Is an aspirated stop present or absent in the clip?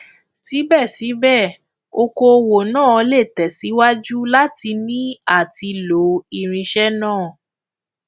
absent